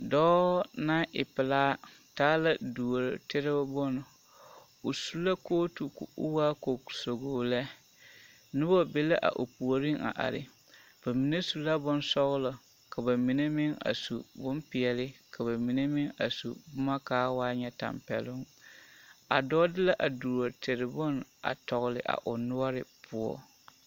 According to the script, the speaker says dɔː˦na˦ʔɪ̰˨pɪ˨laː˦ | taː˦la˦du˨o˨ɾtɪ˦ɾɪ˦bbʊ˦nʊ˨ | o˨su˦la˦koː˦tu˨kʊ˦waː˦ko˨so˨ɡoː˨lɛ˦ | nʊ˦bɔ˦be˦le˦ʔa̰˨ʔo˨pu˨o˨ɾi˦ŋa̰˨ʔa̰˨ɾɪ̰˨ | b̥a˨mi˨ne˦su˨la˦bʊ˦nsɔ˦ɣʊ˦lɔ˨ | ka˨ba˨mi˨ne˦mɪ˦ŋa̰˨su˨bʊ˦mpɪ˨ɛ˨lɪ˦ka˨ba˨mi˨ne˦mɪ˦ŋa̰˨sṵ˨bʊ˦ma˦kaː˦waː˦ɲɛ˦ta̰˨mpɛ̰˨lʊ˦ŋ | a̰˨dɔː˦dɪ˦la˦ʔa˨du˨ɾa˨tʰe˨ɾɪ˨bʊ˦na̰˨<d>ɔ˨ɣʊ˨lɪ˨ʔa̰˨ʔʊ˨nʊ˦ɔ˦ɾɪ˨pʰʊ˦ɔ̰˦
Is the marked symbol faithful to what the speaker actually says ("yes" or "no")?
no